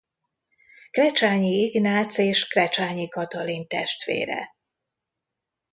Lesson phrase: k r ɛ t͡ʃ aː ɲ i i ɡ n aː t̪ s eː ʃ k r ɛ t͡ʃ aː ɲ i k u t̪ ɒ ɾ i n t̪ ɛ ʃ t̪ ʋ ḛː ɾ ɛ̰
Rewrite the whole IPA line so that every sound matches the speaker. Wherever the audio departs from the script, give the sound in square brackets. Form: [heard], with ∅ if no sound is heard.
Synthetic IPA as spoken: k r ɛ t͡ʃ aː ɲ i i ɡ n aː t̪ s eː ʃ k r ɛ t͡ʃ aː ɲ i k [ɒ] t̪ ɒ [l] i n t̪ ɛ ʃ t̪ ʋ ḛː ɾ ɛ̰